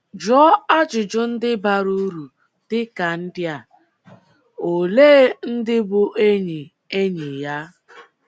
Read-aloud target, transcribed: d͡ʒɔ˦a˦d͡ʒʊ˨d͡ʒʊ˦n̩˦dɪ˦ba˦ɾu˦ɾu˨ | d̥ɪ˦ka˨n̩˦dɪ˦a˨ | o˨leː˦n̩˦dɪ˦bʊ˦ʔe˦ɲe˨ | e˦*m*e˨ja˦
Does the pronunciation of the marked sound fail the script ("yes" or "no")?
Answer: yes